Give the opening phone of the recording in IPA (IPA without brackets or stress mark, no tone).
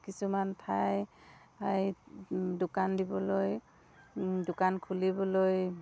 k